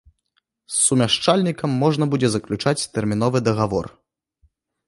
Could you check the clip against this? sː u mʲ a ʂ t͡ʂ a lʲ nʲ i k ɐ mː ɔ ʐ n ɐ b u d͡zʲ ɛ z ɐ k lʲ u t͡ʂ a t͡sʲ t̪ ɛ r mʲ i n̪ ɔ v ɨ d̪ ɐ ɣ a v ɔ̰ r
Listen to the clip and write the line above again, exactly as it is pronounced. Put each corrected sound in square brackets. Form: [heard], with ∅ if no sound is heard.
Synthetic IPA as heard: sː u mʲ a ʂ t͡ʂ a lʲ nʲ i k ɐ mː ɔ ʐ n ɐ b u d͡zʲ ɛ z ɐ k lʲ u t͡ʂ a t͡sʲ t̪ ɛ r mʲ i n̪ ɔ v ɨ d̪ ɐ ɣ a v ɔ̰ r

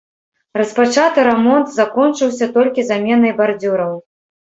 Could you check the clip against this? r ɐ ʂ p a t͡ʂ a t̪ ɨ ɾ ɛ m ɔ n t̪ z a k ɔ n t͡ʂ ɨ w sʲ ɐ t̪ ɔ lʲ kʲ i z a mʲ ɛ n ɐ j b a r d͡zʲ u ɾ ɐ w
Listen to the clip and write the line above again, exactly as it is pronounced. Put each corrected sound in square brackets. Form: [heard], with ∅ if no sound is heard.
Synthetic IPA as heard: r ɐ [s] p a t͡ʂ a t̪ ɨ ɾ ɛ m ɔ n t̪ z a k ɔ n t͡ʂ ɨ w sʲ ɐ t̪ ɔ lʲ kʲ i z a mʲ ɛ n ɐ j b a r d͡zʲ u ɾ ɐ w

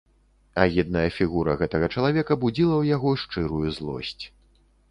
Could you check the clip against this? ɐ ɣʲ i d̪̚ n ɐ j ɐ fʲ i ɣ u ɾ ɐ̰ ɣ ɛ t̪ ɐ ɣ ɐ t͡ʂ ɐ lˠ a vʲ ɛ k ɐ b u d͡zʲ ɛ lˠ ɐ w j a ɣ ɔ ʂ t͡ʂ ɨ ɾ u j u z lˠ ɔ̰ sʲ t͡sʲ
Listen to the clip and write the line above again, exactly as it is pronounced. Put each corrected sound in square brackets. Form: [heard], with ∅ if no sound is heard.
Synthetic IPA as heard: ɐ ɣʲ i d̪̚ n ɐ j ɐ fʲ i ɣ u ɾ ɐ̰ ɣ ɛ t̪ ɐ ɣ ɐ t͡ʂ ɐ lˠ a vʲ ɛ k ɐ b u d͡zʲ [i] lˠ ɐ w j a ɣ ɔ ʂ t͡ʂ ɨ ɾ u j u z lˠ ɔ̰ sʲ t͡sʲ

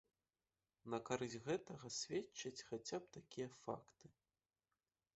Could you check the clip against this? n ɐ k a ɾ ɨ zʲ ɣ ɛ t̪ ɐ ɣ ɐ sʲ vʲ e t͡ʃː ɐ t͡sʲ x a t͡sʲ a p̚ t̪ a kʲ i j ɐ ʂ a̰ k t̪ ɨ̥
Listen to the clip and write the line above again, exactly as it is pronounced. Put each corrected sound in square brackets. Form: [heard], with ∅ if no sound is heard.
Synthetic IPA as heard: n ɐ k a ɾ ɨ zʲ ɣ ɛ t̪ ɐ ɣ ɐ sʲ vʲ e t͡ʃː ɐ t͡sʲ x a t͡sʲ a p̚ t̪ a kʲ i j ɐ [f] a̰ k t̪ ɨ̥

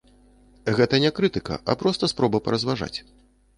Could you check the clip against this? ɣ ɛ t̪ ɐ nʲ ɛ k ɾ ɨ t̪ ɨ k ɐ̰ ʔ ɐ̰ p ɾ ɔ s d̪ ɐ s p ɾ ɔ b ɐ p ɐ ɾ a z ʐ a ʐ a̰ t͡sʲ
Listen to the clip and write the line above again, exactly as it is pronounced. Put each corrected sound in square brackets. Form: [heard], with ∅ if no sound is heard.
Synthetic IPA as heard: ɣ ɛ t̪ ɐ nʲ ɛ k ɾ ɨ t̪ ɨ k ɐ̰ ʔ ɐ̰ p ɾ ɔ s [t̪] ɐ s p ɾ ɔ b ɐ p ɐ ɾ [ɐ] z [v] a ʐ a̰ t͡sʲ

